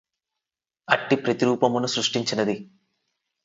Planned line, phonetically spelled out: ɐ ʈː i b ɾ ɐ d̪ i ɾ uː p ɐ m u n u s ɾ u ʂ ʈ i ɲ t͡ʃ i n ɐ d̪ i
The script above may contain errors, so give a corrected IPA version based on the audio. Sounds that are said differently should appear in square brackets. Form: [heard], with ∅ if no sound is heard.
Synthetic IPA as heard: ɐ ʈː i [p] ɾ ɐ [t̪] i ɾ uː p ɐ m u n u s ɾ u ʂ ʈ i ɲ t͡ʃ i n ɐ d̪ i